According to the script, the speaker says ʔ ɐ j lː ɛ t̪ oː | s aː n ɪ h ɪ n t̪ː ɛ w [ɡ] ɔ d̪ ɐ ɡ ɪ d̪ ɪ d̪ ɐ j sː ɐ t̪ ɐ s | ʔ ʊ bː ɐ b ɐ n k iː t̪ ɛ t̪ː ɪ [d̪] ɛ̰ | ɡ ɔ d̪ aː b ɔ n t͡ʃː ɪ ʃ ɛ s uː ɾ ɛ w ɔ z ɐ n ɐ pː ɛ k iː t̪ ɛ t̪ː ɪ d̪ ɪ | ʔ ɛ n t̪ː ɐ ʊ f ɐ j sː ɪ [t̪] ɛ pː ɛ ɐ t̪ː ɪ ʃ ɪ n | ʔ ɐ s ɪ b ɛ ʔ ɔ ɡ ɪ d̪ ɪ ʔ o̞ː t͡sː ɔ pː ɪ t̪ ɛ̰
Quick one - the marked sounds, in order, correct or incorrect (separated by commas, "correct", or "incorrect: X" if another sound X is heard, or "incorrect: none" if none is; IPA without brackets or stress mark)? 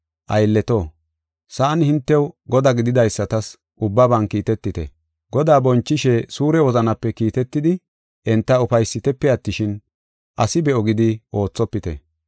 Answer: correct, incorrect: t̪, correct